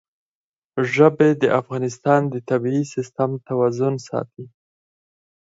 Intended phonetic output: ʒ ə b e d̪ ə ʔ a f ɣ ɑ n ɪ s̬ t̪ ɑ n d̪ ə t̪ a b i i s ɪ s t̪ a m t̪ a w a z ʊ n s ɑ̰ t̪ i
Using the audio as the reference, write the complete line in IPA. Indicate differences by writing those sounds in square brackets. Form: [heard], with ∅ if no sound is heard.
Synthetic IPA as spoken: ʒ ə b e d̪ ə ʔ a f ɣ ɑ n ɪ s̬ t̪ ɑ n d̪ ə t̪ a b i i s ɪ s t̪ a m t̪ a w a z ʊ n s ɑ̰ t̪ i

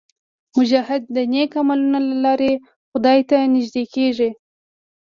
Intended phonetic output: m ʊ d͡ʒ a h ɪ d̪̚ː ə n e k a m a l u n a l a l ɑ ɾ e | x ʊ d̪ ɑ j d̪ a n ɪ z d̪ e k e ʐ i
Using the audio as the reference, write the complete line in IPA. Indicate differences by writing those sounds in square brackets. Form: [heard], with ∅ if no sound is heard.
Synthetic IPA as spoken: m ʊ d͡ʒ a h ɪ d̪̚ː ə n e k a m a l u n a l a l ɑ ɾ e | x ʊ d̪ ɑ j [t̪] a n ɪ [ʒ] d̪ e k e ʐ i

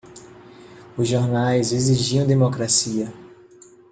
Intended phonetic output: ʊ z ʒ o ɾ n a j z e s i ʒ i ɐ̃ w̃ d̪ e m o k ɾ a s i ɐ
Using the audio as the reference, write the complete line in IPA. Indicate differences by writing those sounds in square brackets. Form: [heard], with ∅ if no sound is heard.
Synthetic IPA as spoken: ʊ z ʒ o ɾ n a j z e [z] i ʒ i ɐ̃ w̃ d̪ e m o k ɾ a s i ɐ

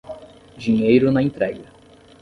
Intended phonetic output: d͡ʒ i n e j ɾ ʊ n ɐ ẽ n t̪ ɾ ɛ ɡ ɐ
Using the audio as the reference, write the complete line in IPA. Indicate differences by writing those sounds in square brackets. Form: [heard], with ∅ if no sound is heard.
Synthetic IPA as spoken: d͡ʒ i [ɲ] e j ɾ ʊ n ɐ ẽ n t̪ ɾ ɛ ɡ ɐ

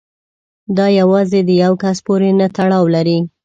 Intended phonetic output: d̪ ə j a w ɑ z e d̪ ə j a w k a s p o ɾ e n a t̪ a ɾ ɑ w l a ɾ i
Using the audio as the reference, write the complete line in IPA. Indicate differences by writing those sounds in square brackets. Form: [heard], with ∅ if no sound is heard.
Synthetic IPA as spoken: d̪ [ɑ] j a w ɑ z e d̪ ə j a w k a s p o ɾ e n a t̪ a [ɽ] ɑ w l a ɾ i

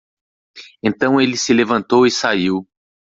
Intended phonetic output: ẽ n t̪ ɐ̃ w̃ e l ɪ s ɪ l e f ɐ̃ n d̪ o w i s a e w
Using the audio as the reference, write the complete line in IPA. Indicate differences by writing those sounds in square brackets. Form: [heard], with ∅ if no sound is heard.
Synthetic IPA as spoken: ẽ n t̪ ɐ̃ w̃ e l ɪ s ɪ l e [v] ɐ̃ n [t̪] o w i s a [i] w

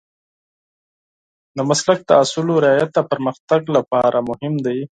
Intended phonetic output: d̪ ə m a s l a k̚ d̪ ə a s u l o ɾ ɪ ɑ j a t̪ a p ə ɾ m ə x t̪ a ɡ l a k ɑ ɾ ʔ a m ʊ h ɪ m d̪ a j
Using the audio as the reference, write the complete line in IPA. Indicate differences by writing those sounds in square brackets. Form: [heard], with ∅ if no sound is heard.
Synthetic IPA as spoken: d̪ ə m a s l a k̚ d̪ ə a s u l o ɾ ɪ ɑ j a t̪ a p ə ɾ m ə x t̪ a ɡ l a [p] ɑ ɾ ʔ a m ʊ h ɪ m d̪ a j

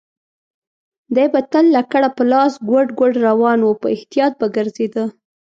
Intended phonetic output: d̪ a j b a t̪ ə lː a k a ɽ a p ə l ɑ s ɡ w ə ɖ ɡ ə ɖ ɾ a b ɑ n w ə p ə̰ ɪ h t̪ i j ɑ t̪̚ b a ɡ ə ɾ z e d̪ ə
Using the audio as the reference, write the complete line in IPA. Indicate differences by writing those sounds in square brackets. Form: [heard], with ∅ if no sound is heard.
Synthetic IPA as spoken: d̪ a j b a t̪ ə lː a k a ɽ a p ə l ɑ s ɡ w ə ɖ ɡ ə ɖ ɾ a [w] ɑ n w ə p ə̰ ɪ h t̪ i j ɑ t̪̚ b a ɡ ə ɾ z e d̪ ə

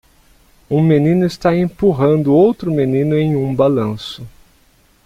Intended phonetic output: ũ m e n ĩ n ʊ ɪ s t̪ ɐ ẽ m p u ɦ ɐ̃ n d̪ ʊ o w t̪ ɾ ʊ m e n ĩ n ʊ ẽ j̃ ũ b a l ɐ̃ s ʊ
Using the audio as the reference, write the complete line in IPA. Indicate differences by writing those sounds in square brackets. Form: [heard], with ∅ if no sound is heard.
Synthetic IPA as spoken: ũ m e n ĩ n ʊ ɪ s t̪ [a] ẽ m p u ɦ ɐ̃ n d̪ ʊ o w t̪ ɾ ʊ m e n ĩ n ʊ ẽ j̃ ũ b a l ɐ̃ s ʊ

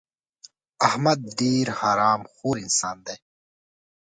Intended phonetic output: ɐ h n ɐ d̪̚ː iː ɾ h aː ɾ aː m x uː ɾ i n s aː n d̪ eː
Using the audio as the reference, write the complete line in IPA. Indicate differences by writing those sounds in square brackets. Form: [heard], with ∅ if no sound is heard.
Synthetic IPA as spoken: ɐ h [m] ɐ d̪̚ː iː ɾ h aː ɾ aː m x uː ɾ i n s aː n d̪ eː

